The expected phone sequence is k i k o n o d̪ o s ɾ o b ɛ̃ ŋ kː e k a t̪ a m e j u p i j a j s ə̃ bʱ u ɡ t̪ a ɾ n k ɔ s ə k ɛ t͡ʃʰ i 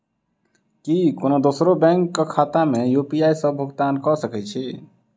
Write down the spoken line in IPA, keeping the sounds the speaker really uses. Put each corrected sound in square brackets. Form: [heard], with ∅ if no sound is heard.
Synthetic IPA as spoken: k i k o n o d̪ o s ɾ o b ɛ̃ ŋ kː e [kʰ] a t̪ a m e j u p i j a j s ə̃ bʱ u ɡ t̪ a [∅] n k ɔ s ə k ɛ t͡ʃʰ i